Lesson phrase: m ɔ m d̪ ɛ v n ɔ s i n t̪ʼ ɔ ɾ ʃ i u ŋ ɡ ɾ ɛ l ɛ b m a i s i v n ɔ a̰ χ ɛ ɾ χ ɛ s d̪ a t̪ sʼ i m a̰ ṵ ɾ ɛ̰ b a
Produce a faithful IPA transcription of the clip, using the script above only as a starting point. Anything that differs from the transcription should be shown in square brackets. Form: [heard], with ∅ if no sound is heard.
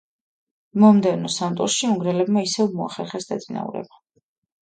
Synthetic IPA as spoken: m ɔ m d̪ ɛ v n ɔ s [a] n t̪ʼ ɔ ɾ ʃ i u ŋ ɡ ɾ ɛ l ɛ b m a i s [ɛ] v [m] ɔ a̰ χ ɛ ɾ χ ɛ s d̪ a t̪ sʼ i [n] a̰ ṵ ɾ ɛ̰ b a